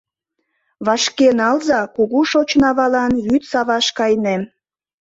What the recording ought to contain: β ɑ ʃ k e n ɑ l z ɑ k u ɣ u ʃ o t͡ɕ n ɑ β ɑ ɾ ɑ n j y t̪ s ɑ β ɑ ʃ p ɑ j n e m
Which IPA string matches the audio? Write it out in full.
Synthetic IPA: β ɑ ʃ k e n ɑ l z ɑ k u ɣ u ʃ o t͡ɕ n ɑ β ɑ l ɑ n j y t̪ s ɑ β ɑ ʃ k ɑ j n e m

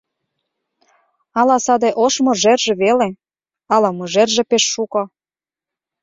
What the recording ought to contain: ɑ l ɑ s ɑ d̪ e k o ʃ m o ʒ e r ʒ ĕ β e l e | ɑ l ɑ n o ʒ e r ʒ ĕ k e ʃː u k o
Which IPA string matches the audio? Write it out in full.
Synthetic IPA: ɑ l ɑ s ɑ d̪ e ʔ o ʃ m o ʒ e r ʒ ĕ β e l e | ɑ l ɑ m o ʒ e r ʒ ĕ p e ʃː u k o

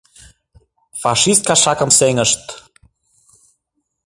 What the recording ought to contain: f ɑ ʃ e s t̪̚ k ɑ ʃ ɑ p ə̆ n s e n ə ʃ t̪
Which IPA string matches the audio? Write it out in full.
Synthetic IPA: f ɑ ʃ i s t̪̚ k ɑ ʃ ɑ k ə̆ m s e ŋ ə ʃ t̪

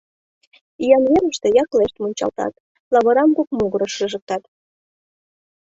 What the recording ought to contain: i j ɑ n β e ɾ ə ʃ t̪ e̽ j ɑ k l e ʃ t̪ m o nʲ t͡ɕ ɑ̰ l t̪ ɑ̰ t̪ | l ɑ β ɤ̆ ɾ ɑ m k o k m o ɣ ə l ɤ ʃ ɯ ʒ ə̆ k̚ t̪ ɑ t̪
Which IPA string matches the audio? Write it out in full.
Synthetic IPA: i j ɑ n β e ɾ ə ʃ t̪ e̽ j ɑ k l e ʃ t̪ m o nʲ t͡ɕ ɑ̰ l t̪ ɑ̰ t̪ | l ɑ β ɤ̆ ɾ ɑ m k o k m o ɣ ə ɾ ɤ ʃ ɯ ʒ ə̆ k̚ t̪ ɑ t̪

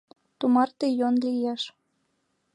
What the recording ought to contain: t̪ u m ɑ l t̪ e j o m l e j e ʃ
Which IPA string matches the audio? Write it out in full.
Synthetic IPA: t̪ u m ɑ r t̪ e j o n l i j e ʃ

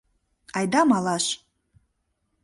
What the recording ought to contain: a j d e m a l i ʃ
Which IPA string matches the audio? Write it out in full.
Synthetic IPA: a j d a m a l a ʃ

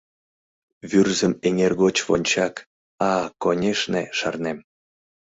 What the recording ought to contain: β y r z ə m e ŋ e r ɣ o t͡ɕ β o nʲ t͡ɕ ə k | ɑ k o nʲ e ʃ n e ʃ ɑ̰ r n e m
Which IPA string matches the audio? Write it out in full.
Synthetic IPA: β y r z ə m e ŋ e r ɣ o t͡ɕ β o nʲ t͡ɕ ɑ k | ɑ k o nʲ e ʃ n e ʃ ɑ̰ r n e m

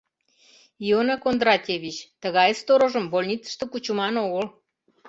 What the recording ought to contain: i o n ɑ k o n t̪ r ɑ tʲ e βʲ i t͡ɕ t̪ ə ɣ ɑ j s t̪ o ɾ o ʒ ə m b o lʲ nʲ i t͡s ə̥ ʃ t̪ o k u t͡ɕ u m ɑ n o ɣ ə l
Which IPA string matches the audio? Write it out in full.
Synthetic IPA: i o n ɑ k o n d̪ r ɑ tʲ e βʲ i t͡ɕ t̪ ə ɣ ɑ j s t̪ o ɾ o ʒ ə m b o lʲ nʲ i t͡s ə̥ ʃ t̪ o k u t͡ɕ u m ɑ n o ɣ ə l

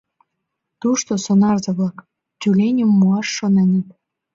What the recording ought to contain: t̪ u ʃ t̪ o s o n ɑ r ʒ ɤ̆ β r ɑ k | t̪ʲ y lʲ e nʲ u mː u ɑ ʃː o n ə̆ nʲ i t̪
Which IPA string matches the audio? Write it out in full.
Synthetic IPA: t̪ u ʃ t̪ o s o n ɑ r z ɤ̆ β l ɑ k | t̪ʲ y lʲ e nʲ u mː u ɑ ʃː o n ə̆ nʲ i t̪

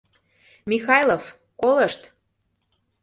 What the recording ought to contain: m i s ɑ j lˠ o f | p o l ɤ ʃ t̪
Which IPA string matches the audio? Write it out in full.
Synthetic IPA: m i x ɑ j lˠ o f | k o l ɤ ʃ t̪

